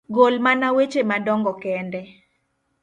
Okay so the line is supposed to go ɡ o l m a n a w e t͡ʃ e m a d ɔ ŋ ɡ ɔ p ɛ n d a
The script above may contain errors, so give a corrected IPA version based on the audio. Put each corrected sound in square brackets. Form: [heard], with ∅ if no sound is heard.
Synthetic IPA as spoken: ɡ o l m a n a w e t͡ʃ e m a d ɔ ŋ ɡ ɔ [k] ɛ n d [ɛ]